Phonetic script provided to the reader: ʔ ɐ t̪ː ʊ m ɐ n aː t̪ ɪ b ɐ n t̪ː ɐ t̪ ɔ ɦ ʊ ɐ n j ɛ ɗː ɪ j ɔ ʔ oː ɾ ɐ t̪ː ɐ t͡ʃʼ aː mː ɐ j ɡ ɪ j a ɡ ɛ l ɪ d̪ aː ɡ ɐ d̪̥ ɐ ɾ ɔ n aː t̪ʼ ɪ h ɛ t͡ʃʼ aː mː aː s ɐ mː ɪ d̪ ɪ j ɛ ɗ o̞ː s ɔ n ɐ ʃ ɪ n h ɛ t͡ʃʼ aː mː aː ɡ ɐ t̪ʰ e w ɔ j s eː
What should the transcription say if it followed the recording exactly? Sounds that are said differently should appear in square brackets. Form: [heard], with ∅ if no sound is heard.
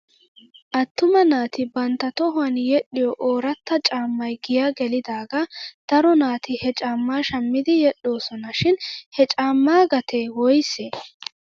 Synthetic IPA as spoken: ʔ ɐ t̪ː ʊ m ɐ n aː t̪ ɪ b ɐ n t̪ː ɐ t̪ ɔ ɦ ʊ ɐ n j ɛ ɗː ɪ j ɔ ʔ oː ɾ ɐ t̪ː ɐ t͡ʃʼ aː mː ɐ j ɡ ɪ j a ɡ ɛ l ɪ d̪ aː ɡ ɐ d̪̥ ɐ ɾ ɔ n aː [t̪] ɪ h ɛ t͡ʃʼ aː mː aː [ʃ] ɐ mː ɪ d̪ ɪ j ɛ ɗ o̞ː s ɔ n ɐ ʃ ɪ n h ɛ t͡ʃʼ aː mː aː ɡ ɐ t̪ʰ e w ɔ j s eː